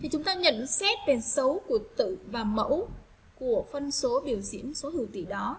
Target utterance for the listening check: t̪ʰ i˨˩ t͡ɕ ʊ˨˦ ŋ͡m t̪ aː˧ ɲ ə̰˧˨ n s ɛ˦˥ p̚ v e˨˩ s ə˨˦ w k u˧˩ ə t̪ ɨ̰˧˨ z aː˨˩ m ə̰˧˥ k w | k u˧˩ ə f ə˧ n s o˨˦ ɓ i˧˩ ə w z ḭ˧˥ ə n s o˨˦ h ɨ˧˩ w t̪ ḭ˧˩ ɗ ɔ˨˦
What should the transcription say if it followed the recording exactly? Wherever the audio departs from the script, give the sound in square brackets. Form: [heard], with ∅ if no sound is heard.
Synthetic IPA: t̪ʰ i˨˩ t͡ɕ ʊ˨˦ ŋ͡m t̪ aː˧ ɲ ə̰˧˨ n s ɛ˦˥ [t̚] v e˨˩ s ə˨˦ w k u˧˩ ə t̪ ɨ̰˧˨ [v] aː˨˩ m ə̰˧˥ [∅] w | k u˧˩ ə f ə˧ n s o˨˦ ɓ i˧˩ ə w z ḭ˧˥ ə n s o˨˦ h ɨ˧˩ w t̪ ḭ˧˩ ɗ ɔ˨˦